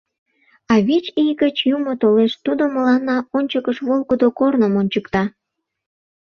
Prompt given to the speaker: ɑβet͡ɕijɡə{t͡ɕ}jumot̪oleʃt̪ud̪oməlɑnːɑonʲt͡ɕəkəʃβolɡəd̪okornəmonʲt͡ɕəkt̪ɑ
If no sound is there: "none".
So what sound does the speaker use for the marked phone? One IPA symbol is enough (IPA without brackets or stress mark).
t͡ɕ